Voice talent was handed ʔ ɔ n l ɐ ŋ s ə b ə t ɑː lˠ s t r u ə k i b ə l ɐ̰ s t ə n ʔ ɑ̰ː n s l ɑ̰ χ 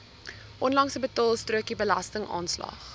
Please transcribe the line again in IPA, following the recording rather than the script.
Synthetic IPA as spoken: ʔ ɔ n l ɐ ŋ s ə b ə t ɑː lˠ s t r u ə k i b ə l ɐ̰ s t ə ŋ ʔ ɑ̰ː n s l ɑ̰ χ

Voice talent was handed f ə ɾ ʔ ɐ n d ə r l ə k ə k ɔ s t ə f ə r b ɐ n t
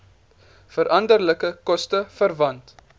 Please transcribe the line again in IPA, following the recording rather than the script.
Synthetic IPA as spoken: f ə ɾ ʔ ɐ n d ə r l ə k ə k ɔ s t ə f ə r v ɐ n t

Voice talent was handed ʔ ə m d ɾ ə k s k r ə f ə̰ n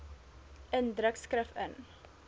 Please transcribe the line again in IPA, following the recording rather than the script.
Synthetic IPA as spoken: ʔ ə n d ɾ ə k s k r ə f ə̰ n

